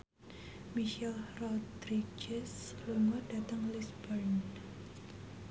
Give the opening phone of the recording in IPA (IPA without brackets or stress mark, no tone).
m